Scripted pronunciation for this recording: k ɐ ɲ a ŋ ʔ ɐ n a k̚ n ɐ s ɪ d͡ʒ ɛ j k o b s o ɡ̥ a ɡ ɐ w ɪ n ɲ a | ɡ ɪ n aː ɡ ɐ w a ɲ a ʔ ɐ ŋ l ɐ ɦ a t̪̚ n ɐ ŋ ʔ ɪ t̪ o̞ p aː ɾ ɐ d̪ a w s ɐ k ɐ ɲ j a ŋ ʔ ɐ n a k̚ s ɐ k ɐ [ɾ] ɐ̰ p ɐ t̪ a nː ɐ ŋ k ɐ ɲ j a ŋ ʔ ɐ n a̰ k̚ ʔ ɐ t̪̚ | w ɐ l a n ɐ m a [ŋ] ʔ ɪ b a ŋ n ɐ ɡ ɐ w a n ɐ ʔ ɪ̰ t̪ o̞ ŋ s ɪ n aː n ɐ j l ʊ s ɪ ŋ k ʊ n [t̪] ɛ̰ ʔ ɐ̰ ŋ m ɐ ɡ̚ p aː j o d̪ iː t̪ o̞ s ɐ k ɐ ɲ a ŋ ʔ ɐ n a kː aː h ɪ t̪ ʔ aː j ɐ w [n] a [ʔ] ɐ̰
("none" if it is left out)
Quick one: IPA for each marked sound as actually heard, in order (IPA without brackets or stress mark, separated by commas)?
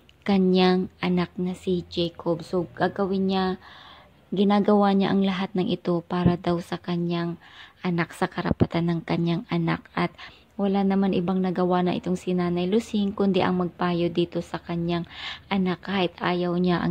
ɾ, n, d̪, ɲ, ʔ